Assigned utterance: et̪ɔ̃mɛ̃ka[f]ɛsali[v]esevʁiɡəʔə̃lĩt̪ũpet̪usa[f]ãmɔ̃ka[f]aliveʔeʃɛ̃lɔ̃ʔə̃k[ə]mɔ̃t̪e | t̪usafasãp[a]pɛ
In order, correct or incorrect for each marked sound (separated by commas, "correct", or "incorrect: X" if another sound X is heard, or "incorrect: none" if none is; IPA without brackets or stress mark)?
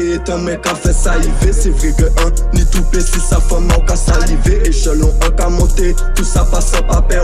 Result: correct, correct, correct, incorrect: s, incorrect: a, correct